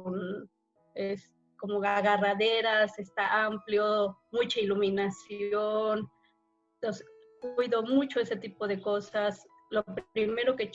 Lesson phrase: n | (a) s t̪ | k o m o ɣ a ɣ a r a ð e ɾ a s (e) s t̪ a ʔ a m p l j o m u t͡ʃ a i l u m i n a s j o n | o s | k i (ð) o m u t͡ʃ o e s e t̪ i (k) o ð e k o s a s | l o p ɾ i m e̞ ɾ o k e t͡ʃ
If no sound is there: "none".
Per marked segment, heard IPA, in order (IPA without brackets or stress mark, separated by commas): e, e, ð, p